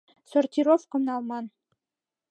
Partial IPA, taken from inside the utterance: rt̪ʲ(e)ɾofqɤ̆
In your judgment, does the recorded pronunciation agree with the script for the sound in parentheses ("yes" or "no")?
no